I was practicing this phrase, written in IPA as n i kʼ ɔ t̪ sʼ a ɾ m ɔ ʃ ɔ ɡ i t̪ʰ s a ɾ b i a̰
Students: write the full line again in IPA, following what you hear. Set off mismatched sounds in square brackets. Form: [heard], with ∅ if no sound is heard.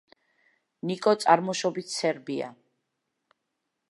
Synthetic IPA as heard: n i kʼ ɔ t̪ sʼ a ɾ m ɔ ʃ ɔ [b] i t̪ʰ s [ɛ] ɾ b i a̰